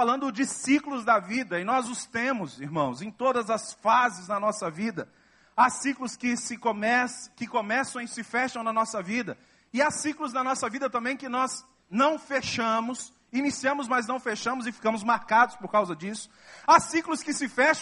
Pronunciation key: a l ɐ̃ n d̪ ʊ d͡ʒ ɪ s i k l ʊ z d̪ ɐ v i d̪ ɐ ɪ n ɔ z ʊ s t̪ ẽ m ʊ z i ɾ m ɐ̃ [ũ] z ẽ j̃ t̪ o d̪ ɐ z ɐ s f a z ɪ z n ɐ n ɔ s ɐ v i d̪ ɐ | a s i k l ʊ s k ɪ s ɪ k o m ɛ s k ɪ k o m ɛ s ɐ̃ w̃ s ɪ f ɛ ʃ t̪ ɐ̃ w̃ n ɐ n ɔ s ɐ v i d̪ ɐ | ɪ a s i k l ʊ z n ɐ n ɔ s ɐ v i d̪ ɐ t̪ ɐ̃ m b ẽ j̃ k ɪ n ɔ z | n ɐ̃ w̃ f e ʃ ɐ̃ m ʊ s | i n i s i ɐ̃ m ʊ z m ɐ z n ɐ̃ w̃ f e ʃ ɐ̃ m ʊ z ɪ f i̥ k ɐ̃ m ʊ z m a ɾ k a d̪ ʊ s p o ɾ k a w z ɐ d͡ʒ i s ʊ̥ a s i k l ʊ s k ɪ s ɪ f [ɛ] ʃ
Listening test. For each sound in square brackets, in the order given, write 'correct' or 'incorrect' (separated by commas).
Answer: incorrect, correct